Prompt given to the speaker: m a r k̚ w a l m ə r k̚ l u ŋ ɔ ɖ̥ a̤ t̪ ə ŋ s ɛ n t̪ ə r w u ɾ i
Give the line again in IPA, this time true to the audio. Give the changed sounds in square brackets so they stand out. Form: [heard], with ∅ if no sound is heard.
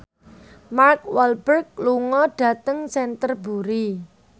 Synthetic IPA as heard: m a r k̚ w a l [b] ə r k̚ l u ŋ ɔ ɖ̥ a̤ t̪ ə ŋ s ɛ n t̪ ə r [b] u ɾ i

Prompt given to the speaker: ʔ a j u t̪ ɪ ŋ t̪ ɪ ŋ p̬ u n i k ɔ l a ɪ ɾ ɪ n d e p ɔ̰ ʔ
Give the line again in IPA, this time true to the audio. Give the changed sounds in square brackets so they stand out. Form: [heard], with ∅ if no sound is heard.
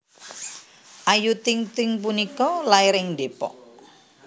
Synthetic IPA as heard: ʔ a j u t̪ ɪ ŋ t̪ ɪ ŋ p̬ u n i k ɔ l a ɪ ɾ ɪ [ŋ] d e p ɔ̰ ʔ

